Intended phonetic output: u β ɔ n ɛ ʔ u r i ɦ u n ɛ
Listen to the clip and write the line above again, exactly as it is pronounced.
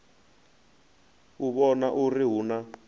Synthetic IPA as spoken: u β ɔ n a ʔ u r i ɦ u n a